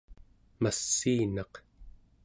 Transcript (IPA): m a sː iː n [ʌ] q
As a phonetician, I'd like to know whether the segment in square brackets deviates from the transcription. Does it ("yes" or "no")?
yes